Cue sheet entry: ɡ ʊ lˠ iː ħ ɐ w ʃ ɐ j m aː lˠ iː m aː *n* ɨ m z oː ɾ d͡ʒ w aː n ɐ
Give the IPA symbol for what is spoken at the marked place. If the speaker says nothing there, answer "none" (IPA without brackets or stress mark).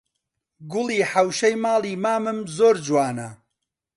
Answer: m